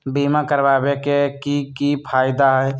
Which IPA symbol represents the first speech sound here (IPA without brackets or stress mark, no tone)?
b